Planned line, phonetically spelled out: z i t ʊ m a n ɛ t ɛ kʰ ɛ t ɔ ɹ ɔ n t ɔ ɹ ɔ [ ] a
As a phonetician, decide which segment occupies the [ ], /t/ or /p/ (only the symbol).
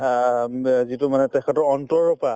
p